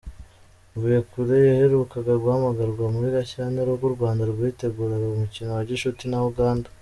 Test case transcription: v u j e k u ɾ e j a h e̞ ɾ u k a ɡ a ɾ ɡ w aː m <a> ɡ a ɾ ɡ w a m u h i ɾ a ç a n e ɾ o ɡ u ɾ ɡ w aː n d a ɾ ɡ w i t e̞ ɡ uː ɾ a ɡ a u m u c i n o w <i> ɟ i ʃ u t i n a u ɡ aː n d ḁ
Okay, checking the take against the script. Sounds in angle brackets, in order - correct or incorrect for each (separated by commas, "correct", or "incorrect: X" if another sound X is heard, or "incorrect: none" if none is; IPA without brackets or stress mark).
correct, incorrect: a